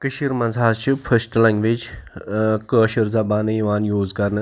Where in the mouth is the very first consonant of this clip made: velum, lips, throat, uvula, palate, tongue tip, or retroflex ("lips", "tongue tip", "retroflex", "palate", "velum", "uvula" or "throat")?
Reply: velum